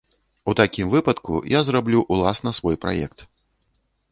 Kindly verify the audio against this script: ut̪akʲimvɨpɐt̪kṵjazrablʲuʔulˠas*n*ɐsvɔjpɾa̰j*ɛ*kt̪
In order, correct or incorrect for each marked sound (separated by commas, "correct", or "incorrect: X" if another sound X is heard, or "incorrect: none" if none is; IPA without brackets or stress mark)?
correct, correct